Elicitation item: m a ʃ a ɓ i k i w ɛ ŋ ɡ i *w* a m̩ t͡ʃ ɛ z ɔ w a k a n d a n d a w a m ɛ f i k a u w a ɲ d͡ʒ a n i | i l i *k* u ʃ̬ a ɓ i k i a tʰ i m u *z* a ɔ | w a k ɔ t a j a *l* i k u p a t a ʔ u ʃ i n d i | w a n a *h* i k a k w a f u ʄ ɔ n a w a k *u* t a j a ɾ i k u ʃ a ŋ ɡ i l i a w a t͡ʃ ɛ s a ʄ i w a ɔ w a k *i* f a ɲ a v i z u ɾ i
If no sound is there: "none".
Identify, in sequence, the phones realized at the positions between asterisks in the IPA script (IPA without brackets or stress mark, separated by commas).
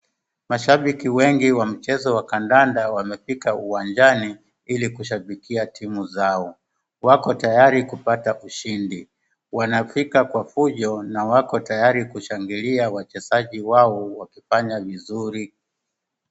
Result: w, k, z, ɾ, f, ɔ, i